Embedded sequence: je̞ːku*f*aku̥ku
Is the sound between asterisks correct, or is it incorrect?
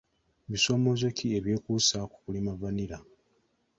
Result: incorrect: s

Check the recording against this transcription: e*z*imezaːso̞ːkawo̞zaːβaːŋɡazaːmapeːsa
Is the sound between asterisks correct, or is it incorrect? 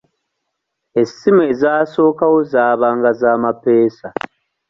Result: incorrect: s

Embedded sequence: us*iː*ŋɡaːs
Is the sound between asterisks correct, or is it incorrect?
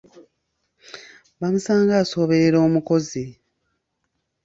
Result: incorrect: aː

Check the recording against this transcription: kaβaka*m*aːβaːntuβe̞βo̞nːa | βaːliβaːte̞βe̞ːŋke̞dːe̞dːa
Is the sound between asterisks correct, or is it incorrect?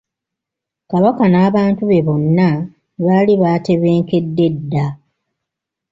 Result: incorrect: n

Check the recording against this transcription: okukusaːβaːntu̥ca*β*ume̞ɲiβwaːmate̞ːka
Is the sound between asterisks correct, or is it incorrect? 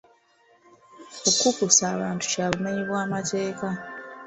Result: correct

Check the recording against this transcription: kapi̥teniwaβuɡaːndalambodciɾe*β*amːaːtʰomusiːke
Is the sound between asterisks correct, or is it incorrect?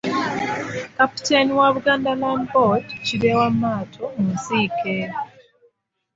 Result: incorrect: w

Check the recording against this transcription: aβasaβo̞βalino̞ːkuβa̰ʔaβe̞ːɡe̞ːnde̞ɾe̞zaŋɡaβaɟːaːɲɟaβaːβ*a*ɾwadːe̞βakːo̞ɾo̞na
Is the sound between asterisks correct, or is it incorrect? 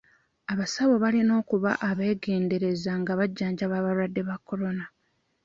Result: correct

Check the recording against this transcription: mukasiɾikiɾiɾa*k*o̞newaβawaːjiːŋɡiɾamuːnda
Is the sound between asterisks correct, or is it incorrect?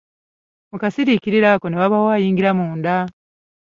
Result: correct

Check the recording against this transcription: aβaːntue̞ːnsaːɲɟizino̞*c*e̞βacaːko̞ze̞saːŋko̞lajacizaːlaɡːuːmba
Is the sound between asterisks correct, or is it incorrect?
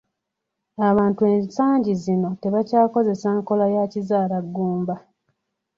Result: incorrect: t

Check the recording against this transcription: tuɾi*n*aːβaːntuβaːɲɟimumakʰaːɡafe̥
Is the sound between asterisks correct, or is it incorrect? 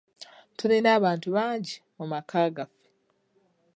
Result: correct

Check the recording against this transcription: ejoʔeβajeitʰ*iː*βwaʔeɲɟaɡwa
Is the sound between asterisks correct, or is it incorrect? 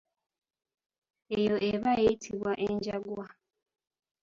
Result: incorrect: i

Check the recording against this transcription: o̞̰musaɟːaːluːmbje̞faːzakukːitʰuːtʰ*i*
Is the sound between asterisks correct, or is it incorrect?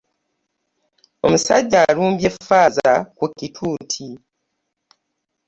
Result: correct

